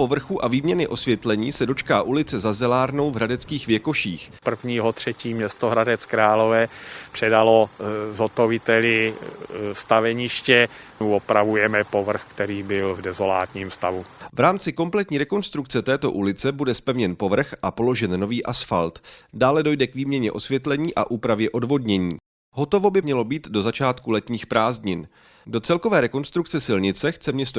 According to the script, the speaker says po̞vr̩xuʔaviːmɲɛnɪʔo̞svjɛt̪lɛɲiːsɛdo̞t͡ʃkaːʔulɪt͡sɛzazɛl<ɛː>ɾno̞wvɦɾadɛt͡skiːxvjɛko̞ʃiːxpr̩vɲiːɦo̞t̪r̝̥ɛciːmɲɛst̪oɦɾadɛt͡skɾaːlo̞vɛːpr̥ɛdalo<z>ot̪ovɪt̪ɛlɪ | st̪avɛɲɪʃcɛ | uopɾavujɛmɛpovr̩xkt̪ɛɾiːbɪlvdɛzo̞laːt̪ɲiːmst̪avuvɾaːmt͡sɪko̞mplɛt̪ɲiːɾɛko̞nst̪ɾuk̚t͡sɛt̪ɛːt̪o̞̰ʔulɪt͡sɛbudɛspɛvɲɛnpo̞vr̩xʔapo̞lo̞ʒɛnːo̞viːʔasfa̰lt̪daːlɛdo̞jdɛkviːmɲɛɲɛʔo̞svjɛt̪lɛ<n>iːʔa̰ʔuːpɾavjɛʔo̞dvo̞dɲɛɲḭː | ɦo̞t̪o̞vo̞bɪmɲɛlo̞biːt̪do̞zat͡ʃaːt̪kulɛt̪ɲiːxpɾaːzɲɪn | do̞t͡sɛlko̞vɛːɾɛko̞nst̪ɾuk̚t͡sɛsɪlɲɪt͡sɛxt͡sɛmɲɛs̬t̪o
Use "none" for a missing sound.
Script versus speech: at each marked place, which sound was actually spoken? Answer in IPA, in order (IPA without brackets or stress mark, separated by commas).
aː, z, ɲ